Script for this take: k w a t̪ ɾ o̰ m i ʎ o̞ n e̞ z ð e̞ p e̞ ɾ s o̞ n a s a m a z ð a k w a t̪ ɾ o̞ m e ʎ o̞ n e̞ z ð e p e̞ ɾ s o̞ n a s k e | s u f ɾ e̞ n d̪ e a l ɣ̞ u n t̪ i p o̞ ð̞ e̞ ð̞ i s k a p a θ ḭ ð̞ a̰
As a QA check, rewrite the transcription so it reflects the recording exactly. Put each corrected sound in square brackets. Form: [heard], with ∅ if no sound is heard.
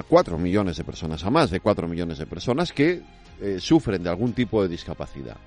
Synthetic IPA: k w a t̪ ɾ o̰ m i ʎ o̞ n e̞ z ð e̞ p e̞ ɾ s o̞ n a s a m a z ð [e] k w a t̪ ɾ o̞ m [i] ʎ o̞ n e̞ z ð e p e̞ ɾ s o̞ n a s k e | s u f ɾ e̞ n d̪ e a l ɣ̞ u n t̪ i p o̞ ð̞ e̞ ð̞ i s k a p a θ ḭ ð̞ a̰